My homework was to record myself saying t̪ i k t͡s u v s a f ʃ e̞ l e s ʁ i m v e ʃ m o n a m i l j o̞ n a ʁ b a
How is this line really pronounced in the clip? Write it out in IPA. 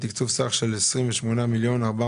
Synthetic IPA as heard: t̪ i k t͡s u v s a χ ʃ e̞ l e s ʁ i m v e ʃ m o n a m i l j o̞ n a ʁ b a